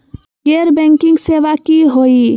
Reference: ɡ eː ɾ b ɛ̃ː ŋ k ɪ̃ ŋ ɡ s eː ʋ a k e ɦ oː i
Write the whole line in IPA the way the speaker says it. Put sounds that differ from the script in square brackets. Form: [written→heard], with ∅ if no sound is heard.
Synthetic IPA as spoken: ɡ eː ɾ b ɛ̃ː ŋ k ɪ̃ ŋ ɡ s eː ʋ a k [e→i] ɦ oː i